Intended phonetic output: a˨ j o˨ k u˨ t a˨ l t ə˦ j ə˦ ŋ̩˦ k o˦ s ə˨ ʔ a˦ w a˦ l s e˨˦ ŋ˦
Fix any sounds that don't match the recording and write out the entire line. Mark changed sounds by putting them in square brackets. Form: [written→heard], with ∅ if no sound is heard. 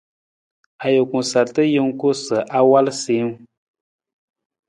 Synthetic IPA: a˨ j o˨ k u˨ [t→s] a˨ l t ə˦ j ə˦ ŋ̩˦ k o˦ s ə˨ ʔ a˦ w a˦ l s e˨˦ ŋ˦